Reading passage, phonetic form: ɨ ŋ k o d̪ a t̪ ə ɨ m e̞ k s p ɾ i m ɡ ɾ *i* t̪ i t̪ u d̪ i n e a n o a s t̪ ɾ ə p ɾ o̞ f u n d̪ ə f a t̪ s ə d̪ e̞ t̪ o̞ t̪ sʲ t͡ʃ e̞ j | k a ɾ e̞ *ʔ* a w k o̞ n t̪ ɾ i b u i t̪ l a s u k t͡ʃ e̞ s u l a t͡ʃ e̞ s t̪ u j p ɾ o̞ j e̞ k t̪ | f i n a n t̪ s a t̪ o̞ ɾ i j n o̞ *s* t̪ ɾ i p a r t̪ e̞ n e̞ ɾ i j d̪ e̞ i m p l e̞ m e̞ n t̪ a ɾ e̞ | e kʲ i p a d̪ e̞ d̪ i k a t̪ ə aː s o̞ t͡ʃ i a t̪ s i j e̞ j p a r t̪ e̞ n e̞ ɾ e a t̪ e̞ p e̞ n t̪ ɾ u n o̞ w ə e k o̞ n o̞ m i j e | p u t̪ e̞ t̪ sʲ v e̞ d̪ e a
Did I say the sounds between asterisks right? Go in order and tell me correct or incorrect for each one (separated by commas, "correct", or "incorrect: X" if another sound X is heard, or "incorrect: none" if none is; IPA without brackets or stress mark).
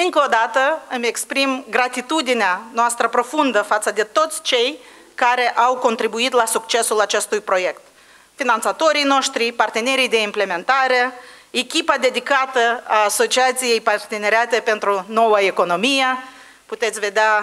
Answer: incorrect: a, correct, incorrect: ʃ